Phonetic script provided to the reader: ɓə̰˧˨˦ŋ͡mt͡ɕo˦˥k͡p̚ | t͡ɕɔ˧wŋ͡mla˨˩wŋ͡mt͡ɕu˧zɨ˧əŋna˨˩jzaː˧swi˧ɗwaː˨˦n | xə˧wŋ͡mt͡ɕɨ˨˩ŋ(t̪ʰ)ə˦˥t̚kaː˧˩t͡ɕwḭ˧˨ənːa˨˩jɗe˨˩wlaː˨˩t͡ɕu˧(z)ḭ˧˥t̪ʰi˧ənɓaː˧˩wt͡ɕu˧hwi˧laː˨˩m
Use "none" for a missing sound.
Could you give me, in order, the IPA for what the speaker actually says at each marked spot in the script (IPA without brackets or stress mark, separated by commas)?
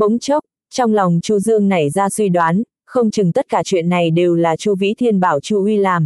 t̪, v